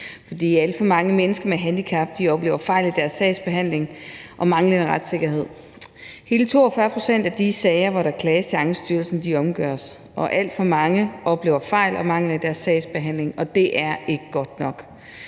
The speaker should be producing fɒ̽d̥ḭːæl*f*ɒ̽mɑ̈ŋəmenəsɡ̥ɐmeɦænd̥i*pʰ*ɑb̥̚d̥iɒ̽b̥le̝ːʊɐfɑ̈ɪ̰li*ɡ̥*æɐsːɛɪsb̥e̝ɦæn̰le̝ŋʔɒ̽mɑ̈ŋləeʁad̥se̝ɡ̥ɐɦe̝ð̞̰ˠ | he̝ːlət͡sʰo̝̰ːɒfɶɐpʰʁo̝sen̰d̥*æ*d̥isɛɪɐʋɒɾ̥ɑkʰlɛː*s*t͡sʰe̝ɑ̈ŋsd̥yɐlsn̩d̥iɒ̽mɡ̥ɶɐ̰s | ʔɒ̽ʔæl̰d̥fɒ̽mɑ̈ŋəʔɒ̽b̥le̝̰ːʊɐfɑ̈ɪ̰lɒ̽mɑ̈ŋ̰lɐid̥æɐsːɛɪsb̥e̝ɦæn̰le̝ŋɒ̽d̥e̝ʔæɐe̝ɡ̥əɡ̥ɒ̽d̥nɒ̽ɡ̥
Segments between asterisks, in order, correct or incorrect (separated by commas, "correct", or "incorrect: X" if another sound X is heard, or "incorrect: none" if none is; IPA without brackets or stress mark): correct, incorrect: kʰ, incorrect: d̥, correct, correct